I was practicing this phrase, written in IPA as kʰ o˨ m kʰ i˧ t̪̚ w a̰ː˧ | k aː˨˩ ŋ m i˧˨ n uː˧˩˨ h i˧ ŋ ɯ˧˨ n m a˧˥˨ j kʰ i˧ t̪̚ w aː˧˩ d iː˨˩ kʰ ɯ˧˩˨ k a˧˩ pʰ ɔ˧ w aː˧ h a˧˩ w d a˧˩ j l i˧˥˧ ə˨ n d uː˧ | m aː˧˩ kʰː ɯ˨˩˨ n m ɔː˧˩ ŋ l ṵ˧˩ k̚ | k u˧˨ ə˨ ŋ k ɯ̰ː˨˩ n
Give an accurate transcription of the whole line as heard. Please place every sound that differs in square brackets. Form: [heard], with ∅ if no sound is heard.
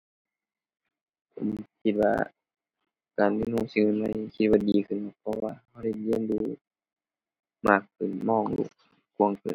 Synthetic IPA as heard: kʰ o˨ m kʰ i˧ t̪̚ w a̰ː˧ | k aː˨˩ [n] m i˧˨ n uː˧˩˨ [s] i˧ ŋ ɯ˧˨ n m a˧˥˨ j kʰ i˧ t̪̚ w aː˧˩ d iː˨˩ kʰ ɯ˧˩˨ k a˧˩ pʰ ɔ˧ w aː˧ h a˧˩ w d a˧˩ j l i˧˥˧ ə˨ n d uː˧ | m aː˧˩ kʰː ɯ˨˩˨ n m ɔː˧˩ ŋ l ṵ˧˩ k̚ | k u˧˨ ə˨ ŋ k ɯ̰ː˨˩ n